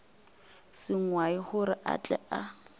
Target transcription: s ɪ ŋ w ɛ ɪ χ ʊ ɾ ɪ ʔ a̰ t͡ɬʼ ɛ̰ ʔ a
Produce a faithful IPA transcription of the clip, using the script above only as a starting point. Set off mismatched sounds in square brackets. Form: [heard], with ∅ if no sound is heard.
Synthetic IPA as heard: s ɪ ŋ w [a] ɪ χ ʊ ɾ ɪ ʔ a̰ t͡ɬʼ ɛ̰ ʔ a